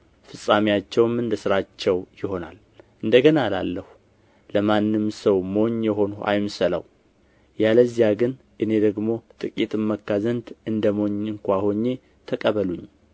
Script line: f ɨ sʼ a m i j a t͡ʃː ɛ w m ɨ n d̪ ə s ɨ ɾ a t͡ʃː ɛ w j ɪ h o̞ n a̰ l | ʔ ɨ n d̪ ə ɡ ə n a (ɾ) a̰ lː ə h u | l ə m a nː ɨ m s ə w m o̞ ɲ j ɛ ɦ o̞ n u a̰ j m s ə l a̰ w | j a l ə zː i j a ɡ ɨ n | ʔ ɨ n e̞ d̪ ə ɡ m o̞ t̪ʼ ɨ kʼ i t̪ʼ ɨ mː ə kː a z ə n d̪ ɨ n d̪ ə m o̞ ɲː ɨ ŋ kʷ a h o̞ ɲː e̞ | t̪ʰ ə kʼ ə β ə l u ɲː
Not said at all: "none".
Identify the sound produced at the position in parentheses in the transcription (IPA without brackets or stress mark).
l